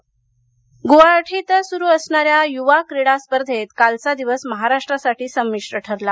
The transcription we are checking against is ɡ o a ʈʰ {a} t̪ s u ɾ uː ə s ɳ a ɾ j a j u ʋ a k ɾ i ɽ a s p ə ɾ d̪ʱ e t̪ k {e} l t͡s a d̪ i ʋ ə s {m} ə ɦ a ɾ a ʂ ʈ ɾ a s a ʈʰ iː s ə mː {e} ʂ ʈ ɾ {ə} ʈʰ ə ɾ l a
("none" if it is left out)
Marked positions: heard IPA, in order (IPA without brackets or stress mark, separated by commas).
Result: i, a, m, i, ə